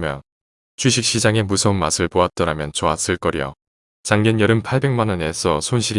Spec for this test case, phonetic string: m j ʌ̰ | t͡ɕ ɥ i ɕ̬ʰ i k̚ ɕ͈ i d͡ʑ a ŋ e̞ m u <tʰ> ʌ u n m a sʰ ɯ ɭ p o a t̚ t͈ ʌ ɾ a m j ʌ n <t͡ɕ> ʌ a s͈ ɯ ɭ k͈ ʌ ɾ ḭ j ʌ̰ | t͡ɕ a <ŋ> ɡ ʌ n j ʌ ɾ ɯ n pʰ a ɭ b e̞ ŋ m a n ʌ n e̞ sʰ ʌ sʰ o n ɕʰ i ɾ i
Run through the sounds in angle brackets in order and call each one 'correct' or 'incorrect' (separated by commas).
incorrect, correct, correct